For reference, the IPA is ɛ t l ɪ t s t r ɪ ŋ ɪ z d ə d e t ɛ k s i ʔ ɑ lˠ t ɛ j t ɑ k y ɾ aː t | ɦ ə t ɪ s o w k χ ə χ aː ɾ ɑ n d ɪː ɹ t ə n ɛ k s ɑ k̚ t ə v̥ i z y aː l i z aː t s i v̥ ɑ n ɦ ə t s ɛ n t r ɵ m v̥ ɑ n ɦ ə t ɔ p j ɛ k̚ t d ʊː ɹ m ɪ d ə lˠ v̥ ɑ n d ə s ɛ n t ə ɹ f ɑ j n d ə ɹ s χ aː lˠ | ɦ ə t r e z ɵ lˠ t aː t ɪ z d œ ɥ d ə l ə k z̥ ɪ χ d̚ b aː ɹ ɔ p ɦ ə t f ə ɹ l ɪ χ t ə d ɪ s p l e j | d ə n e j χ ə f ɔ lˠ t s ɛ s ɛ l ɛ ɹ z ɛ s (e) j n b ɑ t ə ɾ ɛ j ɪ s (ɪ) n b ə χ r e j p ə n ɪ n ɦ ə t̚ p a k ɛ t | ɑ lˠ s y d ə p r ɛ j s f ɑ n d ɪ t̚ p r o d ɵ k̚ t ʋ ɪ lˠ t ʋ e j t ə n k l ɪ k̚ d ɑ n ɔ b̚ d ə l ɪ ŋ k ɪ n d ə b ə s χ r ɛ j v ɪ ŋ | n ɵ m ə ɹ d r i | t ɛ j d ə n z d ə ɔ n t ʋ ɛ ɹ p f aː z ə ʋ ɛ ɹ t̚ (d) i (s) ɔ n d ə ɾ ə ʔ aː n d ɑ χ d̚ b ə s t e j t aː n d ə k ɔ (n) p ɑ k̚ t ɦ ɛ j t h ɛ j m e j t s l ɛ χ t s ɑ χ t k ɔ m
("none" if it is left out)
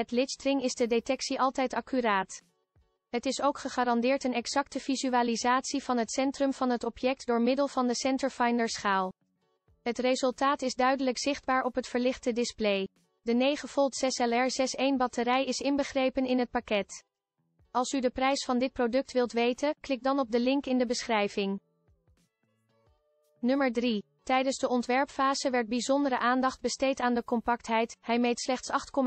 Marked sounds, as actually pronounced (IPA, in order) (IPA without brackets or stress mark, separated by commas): e, ɪ, b, z, m